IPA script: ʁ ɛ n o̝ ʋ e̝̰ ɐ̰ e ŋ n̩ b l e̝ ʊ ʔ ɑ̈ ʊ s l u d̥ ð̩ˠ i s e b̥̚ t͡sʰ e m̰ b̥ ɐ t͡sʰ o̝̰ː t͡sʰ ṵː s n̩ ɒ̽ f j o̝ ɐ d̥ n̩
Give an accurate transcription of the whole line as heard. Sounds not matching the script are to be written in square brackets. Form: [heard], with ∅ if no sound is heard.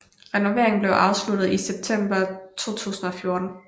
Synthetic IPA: ʁ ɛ n o̝ ʋ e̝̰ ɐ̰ e ŋ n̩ b l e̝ ʊ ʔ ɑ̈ ʊ s l u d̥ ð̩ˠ i s e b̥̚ t͡sʰ e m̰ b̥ ɐ t͡sʰ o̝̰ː t͡sʰ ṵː s n̩ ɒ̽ f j o̝ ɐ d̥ n̩